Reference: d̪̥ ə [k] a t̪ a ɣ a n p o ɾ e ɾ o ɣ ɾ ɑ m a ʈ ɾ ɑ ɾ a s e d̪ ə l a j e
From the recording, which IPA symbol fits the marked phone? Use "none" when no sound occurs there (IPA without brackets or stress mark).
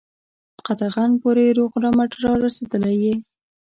q